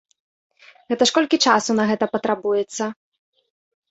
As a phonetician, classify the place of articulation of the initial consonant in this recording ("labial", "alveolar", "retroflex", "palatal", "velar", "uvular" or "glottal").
velar